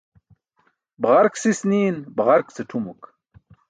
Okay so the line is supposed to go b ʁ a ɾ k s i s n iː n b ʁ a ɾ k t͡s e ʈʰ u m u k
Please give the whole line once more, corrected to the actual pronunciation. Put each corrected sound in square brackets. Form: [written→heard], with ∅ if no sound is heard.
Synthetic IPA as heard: b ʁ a ɾ k s i s n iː n b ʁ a ɾ k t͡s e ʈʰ u m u k